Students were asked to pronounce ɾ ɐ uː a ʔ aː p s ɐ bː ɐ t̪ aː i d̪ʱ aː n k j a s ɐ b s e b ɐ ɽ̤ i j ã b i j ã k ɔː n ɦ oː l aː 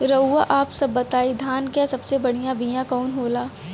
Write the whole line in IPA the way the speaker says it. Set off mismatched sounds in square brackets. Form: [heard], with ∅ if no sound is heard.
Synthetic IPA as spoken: ɾ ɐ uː a ʔ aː p s ɐ bː ɐ t̪ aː i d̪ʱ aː n k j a s ɐ b s e b ɐ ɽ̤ i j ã b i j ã k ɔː n ɦ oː l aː

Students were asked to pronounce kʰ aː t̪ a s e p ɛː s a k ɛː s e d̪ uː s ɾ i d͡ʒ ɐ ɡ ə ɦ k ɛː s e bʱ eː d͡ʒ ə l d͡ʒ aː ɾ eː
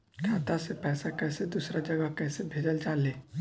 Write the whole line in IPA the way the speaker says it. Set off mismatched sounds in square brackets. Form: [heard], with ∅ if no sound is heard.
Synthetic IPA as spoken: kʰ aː t̪ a s e p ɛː s a k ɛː s e d̪ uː s ɾ [a] d͡ʒ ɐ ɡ ə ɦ k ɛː s e bʱ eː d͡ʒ ə l d͡ʒ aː [l] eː

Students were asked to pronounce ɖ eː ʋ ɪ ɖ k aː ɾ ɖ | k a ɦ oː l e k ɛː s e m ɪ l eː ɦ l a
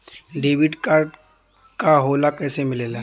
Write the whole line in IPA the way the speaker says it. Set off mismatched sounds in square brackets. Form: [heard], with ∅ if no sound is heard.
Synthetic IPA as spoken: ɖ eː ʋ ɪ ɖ k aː ɾ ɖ | k a ɦ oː l [a] k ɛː s e m ɪ l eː [∅] l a

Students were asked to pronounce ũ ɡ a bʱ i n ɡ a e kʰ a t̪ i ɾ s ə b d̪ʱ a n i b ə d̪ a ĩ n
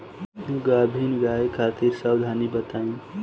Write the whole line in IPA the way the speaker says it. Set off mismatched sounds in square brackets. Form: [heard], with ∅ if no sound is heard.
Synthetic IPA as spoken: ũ ɡ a bʱ i n ɡ a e kʰ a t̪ i ɾ s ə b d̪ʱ a n i b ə [t̪] a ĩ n

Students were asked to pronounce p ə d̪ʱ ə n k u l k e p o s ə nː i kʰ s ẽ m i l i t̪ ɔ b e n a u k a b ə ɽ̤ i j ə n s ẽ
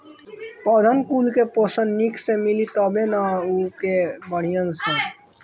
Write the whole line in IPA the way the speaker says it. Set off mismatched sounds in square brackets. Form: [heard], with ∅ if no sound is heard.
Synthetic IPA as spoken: p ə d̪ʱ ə n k u l k e p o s ə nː i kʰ s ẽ m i l i t̪ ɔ b e n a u k [e] b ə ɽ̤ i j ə n s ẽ

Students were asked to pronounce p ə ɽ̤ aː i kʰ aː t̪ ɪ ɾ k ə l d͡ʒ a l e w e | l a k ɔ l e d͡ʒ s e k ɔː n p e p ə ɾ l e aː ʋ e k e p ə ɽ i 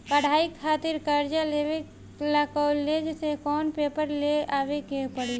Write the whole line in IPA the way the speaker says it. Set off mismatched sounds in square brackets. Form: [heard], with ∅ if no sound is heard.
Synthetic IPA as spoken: p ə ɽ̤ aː i kʰ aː t̪ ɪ ɾ k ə [ɾ] d͡ʒ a l e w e | l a k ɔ l e d͡ʒ s e k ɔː n p e p ə ɾ l e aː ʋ e k e p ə ɽ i

